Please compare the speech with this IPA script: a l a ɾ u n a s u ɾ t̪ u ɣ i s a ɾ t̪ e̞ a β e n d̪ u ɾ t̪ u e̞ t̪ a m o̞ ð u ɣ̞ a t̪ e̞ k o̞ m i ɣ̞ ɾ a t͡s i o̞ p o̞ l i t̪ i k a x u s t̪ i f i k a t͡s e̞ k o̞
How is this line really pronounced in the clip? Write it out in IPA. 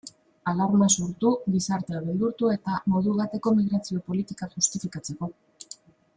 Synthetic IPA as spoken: a l a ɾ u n a s u ɾ t̪ u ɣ i s a ɾ t̪ e̞ a β e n d̪ u ɾ t̪ u e̞ t̪ a m o̞ ð u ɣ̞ a t̪ e̞ k o̞ m i ɣ̞ ɾ a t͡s i o̞ p o̞ l i t̪ i k a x u s t̪ i f i k a t͡s e̞ k o̞